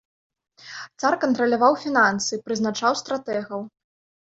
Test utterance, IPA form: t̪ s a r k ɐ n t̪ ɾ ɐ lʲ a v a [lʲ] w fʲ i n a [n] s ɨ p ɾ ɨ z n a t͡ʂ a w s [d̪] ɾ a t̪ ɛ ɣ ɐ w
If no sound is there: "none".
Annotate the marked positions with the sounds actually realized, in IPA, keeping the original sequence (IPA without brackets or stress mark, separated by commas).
none, n, t̪